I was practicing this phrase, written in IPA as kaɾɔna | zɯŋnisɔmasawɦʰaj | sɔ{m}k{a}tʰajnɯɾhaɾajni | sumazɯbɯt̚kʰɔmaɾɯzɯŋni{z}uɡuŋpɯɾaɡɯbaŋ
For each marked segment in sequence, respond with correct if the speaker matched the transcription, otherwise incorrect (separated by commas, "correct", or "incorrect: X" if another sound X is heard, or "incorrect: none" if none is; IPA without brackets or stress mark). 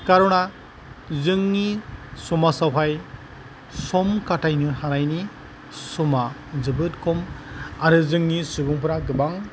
correct, correct, incorrect: s